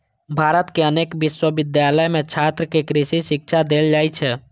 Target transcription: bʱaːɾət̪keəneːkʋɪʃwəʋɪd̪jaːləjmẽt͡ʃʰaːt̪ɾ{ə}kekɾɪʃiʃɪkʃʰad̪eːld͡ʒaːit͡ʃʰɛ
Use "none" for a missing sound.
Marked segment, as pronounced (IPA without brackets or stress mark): ə